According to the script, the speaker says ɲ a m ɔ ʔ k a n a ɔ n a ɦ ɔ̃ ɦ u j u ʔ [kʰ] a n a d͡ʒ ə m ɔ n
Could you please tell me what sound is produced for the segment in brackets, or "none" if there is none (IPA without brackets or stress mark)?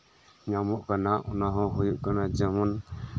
k